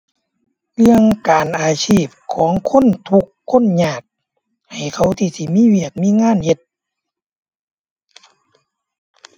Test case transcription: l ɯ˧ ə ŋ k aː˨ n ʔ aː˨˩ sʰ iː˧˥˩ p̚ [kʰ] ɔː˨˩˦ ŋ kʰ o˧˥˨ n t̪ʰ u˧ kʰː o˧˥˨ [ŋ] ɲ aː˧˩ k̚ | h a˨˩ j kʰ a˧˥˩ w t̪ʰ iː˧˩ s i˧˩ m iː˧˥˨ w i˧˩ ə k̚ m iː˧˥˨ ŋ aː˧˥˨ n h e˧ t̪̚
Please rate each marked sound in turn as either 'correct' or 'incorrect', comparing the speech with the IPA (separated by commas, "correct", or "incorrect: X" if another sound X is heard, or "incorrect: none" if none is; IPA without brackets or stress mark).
correct, incorrect: n